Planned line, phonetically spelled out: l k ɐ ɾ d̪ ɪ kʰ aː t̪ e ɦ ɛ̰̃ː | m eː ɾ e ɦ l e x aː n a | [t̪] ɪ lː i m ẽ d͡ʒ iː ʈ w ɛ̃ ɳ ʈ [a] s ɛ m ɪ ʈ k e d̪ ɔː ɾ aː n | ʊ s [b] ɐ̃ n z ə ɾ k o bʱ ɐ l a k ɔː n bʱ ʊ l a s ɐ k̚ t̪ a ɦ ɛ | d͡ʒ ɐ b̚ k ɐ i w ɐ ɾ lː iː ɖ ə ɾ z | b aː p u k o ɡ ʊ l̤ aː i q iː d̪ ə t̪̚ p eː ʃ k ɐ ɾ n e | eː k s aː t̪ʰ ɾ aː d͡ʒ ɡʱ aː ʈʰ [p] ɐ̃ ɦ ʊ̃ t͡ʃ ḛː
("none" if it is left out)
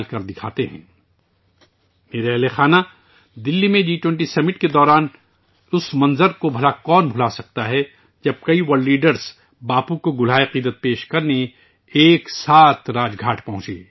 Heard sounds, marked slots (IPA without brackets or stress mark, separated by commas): d̪, i, m, p